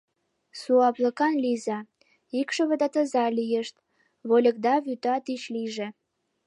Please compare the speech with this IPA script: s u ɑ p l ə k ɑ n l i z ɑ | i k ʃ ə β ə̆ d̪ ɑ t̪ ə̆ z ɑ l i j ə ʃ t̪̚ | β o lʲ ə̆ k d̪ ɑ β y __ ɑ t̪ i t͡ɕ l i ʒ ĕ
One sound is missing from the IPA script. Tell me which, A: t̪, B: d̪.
A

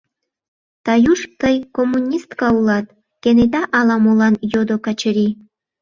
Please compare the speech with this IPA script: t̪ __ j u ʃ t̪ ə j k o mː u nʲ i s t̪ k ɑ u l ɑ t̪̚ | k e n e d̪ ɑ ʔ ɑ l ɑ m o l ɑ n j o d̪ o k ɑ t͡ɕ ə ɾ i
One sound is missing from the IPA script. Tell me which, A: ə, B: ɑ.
B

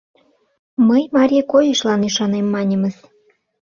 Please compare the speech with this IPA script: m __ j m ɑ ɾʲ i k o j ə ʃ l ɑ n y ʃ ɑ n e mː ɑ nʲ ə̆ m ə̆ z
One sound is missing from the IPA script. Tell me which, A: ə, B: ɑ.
A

